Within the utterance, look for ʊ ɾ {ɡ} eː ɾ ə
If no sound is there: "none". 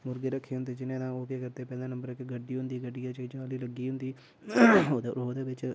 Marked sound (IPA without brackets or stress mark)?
ɡ